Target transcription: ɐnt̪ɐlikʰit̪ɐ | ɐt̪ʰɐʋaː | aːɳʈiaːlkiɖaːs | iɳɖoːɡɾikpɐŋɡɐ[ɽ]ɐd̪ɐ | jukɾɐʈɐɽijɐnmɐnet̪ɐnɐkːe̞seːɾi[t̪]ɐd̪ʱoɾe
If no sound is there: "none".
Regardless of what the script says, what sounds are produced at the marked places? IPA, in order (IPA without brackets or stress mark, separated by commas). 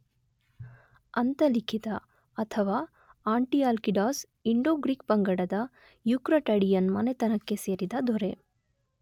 ɽ, d̪